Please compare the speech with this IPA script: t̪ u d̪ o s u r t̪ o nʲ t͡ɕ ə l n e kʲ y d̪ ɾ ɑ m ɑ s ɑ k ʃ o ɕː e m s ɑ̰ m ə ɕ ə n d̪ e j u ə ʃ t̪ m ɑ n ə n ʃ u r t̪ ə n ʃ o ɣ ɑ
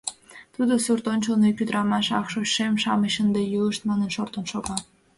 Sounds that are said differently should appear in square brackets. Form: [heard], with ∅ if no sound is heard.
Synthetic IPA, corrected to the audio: t̪ u d̪ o s u r t̪ o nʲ t͡ɕ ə l n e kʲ y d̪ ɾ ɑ m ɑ [ʃ] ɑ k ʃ o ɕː e m [ʃ] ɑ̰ m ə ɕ ə n d̪ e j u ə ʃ t̪ m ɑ n ə n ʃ [o] r t̪ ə n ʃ o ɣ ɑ